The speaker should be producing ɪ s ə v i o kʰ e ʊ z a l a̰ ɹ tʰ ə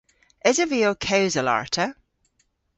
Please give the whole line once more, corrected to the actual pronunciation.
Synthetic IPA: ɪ z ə v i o kʰ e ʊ z ə l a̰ ɹ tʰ ə

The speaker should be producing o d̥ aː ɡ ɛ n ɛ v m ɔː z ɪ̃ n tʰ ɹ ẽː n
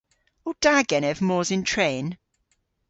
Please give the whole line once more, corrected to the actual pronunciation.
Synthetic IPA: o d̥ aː ɡ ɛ n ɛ v m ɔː z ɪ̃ n tʰ ɹ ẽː n

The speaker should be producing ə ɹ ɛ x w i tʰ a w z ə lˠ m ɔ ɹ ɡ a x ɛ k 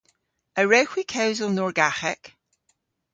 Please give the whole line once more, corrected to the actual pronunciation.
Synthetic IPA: ə ɹ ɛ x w i kʰ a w z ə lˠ n ɔ ɹ ɡ a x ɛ k

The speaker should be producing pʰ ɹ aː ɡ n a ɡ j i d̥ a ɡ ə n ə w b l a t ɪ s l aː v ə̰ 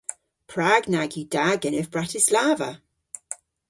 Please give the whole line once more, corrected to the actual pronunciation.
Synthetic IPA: pʰ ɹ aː ɡ n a ɡ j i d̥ a ɡ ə n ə v b ɹ a t ɪ s l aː v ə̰

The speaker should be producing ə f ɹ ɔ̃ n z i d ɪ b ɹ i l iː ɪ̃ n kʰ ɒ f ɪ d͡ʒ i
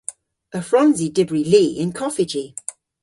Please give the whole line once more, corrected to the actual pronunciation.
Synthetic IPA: ə f ɹ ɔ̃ n z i d ɪ b ɹ i l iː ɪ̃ n kʰ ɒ f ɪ d͡ʒ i

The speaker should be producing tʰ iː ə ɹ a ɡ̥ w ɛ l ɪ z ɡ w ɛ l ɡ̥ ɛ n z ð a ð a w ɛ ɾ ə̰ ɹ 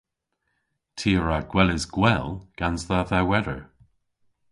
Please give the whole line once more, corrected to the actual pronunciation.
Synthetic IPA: tʰ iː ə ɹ a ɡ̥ w ɛ l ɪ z ɡ w ɛ l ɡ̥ a n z ð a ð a w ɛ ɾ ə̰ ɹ

